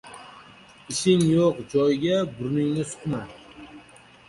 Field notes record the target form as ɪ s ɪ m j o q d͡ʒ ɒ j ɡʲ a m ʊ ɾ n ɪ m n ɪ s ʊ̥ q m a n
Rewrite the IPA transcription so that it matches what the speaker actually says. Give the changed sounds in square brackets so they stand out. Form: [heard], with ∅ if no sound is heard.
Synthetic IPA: ɪ [ʃ] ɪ [ŋ] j o q d͡ʒ ɒ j ɡʲ a [b] ʊ ɾ n ɪ [ŋ] n ɪ s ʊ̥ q m a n

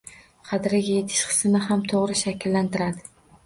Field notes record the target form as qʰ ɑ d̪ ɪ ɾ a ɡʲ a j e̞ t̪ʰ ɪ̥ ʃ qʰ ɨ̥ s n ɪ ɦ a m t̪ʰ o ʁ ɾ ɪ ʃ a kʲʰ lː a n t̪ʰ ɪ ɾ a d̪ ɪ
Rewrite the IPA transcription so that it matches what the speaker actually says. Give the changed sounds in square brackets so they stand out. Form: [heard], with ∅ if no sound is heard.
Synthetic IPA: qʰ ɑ d̪ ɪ ɾ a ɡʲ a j e̞ t̪ʰ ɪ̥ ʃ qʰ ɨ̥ s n ɪ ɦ a m t̪ʰ o ʁ ɾ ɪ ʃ a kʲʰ lː a n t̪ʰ ɪ ɾ a d̪ ɪ

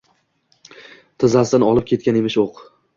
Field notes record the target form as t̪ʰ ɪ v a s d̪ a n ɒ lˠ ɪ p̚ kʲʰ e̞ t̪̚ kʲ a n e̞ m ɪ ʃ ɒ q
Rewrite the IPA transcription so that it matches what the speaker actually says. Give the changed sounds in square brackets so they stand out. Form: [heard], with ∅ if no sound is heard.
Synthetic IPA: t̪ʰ ɪ [z] a s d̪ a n ɒ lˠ ɪ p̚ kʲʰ e̞ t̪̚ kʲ a n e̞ m ɪ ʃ [o] q

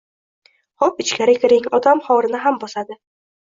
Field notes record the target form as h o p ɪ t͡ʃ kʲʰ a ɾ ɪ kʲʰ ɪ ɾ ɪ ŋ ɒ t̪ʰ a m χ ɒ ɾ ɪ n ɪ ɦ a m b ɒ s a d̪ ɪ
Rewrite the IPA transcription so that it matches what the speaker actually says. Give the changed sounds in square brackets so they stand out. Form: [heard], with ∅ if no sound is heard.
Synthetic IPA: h [ɒ] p ɪ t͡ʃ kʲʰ a ɾ ɪ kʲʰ ɪ ɾ ɪ ŋ ɒ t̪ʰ a m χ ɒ ɾ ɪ n ɪ ɦ a m b ɒ s a d̪ ɪ

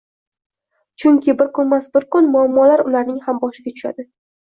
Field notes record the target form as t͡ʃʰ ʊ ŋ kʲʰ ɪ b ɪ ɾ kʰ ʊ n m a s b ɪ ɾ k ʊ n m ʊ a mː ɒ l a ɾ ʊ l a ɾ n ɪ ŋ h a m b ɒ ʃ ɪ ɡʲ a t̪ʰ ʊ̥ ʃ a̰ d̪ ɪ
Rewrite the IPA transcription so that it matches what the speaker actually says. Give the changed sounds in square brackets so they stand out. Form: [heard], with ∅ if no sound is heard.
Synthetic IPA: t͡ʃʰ ʊ ŋ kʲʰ ɪ b ɪ ɾ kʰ ʊ n m a s b ɪ ɾ k ʊ n m ʊ a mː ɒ l a ɾ ʊ l a ɾ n ɪ ŋ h a m b ɒ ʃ ɪ ɡʲ a t̪ʰ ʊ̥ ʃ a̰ d̪ ɪ

